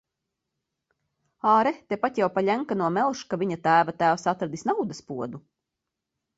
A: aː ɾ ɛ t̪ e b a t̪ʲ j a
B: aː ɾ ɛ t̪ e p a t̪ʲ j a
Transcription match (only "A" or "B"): B